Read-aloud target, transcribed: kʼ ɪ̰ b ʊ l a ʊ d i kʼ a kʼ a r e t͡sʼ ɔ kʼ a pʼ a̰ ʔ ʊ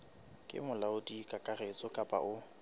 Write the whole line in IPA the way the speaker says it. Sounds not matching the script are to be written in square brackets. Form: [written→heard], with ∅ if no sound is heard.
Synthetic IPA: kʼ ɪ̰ [b→m] ʊ l a ʊ d i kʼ a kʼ a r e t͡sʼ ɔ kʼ a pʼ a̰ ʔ ʊ

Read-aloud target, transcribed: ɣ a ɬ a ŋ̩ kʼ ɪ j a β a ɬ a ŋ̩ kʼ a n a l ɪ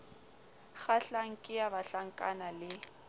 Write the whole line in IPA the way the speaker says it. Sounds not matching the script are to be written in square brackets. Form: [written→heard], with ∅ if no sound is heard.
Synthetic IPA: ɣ a ɬ a ŋ̩ kʼ ɪ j a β a ɬ a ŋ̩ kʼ a n a l ɪ

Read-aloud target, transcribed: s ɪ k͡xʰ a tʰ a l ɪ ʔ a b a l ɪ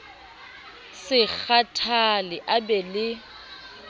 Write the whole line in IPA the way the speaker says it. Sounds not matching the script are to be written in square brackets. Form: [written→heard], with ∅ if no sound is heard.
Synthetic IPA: s ɪ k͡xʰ a tʰ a l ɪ ʔ a b [a→ɛ] l ɪ

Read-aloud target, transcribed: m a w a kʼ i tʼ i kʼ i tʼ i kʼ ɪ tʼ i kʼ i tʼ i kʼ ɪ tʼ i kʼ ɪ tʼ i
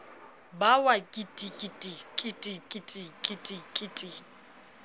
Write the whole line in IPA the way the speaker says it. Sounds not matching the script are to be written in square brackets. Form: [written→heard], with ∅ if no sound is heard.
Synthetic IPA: [m→b] a w a kʼ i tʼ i kʼ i tʼ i kʼ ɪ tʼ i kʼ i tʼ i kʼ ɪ tʼ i kʼ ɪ tʼ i

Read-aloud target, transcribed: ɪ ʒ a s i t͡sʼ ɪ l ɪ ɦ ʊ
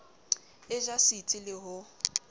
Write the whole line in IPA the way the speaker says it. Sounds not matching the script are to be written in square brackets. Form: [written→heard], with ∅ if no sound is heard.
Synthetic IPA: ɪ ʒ a s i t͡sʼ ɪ l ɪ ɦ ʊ

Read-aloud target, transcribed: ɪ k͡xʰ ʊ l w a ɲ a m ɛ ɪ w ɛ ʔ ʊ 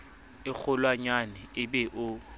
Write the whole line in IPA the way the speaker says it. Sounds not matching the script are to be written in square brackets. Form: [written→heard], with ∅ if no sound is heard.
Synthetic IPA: ɪ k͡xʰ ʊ l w a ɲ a [m→n] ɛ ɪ [w→b] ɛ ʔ ʊ

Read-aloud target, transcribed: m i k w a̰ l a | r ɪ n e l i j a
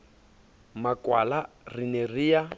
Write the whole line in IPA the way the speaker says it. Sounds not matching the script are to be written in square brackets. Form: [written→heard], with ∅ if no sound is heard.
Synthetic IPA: m [i→a] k w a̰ l a | r [ɪ→i] n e [l→r] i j a

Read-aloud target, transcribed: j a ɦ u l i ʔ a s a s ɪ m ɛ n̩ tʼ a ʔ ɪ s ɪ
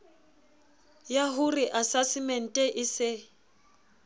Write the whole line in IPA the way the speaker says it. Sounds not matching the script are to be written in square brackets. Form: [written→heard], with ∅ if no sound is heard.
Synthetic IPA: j a ɦ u [l→r] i ʔ a s a s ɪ m ɛ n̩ tʼ [a→ɛ] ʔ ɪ s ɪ

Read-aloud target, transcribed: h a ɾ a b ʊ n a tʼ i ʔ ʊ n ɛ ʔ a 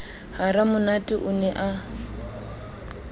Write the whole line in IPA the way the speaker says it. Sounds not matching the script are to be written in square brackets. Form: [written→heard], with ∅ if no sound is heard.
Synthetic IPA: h a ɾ a [b→m] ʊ n a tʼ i ʔ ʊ n ɛ ʔ a

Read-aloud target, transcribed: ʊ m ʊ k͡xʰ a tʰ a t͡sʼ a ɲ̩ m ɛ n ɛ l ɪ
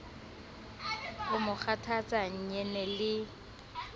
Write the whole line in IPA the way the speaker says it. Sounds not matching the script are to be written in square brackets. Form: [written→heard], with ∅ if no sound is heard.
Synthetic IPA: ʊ m ʊ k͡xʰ a tʰ a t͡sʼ a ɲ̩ [m→ɲ] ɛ n ɛ l ɪ

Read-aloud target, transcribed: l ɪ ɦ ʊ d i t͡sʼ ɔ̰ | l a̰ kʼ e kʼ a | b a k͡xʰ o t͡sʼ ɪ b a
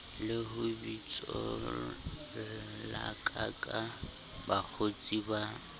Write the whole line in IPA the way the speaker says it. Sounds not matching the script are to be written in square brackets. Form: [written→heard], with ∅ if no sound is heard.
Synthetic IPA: l ɪ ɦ ʊ [d→b] i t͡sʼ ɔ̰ | l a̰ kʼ [e→a] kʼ a | b a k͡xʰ o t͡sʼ [ɪ→i] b a

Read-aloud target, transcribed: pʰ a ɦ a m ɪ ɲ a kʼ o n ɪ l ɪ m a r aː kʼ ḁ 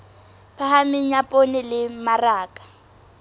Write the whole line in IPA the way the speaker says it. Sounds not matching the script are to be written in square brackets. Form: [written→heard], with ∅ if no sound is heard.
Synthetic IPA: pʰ a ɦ a m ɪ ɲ a [kʼ→pʼ] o n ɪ l ɪ m a r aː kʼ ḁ

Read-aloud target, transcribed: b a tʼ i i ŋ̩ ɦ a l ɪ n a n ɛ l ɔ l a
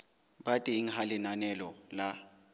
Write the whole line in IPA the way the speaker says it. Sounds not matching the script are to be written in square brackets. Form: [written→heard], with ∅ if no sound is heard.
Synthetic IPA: b a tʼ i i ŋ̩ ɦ a l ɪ n a n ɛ l ɔ l a

